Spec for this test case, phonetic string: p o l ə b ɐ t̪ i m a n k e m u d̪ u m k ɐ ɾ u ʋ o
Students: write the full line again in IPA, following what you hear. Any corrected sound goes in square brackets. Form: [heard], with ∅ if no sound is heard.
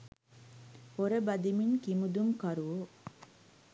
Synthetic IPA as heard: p o [ɾ] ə b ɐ [d̪] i m [i] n k [i] m u d̪ u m k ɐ ɾ u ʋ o